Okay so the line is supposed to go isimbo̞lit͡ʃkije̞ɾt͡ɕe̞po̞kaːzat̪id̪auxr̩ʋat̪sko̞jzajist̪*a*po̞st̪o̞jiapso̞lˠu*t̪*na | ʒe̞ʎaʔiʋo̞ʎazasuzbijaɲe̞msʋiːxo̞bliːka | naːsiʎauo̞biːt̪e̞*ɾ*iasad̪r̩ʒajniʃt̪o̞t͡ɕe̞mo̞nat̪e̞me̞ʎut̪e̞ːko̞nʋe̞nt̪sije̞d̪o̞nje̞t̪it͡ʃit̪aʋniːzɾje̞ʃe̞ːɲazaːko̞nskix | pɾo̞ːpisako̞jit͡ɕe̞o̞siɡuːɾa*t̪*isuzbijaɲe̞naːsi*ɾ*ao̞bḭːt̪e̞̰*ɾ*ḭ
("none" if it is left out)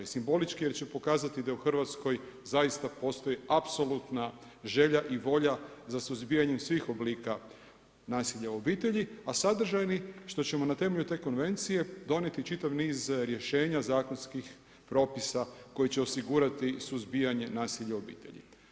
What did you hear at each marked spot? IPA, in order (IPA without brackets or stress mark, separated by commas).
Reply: a, t̪, ʎ, t̪, ʎ, ʎ